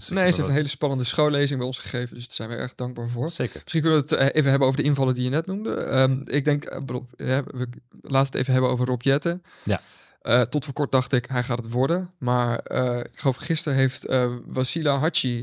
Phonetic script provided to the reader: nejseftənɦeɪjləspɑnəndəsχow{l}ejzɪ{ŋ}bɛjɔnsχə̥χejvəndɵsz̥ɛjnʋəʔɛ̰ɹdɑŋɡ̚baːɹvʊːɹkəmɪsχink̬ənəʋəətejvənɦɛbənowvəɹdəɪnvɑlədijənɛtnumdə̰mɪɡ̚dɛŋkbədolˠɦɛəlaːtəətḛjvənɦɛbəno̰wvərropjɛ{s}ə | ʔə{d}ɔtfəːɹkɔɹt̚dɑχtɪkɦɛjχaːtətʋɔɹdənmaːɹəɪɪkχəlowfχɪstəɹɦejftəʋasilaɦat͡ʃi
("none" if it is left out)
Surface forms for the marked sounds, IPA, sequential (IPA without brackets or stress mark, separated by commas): l, ŋ, t, t